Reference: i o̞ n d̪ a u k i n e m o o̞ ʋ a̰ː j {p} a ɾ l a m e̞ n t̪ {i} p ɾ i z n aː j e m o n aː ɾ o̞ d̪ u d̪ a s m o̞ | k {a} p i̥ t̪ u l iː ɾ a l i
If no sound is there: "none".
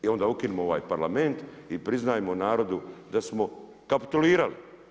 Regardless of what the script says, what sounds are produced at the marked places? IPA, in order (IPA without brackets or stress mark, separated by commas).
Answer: p, i, a